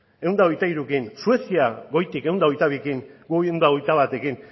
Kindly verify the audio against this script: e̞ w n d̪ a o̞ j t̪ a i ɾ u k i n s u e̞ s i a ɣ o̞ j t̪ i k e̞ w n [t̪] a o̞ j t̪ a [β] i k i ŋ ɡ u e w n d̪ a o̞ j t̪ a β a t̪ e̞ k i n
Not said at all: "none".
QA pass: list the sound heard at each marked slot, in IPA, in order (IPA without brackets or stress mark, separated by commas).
d̪, β